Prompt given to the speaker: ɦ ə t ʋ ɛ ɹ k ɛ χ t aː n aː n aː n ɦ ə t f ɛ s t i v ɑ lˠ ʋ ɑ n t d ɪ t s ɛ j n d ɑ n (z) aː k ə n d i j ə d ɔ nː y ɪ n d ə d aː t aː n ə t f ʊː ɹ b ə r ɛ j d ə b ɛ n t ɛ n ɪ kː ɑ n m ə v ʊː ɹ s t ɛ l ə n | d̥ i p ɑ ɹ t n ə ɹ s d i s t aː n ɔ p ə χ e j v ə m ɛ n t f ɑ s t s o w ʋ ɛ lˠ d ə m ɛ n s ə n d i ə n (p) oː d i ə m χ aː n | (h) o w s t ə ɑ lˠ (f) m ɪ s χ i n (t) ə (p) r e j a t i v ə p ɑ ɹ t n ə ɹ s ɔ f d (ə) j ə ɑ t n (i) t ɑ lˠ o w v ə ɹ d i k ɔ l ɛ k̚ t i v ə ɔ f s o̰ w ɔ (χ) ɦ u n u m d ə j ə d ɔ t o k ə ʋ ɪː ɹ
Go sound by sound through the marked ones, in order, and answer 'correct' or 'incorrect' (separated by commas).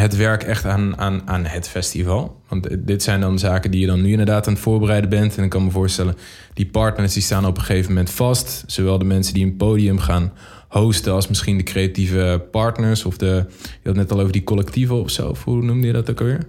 correct, correct, correct, incorrect, incorrect, incorrect, correct, incorrect, incorrect